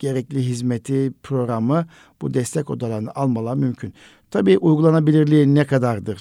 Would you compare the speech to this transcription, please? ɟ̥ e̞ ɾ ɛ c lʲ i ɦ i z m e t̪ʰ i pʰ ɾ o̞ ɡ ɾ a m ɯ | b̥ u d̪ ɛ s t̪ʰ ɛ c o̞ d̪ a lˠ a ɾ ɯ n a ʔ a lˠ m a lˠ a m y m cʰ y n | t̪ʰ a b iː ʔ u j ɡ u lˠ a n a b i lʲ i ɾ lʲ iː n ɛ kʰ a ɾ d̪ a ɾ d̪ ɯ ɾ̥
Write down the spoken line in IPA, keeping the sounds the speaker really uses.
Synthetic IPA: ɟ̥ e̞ ɾ ɛ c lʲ i ɦ i z m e t̪ʰ i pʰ ɾ o̞ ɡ ɾ a m ɯ | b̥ u d̪ ɛ s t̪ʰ ɛ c o̞ d̪ a lˠ a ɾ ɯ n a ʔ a lˠ m a lˠ a m y m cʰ y n | t̪ʰ a b iː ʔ u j ɡ u lˠ a n a b i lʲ i ɾ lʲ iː n ɛ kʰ a d̪ a ɾ d̪ ɯ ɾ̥